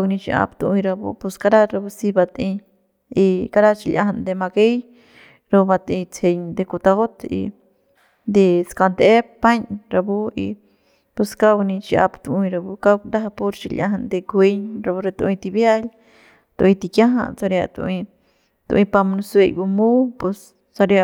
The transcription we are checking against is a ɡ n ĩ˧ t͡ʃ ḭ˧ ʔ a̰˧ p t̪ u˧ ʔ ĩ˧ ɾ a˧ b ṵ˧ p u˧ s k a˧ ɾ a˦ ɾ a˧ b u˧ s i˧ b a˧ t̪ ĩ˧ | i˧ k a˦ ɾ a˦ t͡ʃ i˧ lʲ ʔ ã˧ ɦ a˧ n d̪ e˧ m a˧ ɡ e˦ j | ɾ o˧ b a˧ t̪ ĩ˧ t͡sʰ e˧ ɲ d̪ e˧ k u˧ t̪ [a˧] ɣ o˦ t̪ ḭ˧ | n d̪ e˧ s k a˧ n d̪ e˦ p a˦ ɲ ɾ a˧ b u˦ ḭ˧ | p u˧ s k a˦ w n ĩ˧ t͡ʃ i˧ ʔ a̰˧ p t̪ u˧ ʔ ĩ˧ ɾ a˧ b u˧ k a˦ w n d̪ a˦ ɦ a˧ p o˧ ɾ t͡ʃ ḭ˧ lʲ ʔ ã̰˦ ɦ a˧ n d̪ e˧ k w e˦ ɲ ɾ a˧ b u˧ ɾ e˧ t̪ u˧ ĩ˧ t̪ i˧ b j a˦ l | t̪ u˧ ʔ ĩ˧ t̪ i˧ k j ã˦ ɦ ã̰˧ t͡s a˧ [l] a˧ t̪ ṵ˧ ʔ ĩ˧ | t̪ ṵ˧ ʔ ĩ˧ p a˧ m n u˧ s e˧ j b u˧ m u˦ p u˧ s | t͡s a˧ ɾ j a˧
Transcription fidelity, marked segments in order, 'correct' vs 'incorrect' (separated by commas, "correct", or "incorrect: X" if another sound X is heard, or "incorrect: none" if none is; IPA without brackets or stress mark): correct, incorrect: ɾ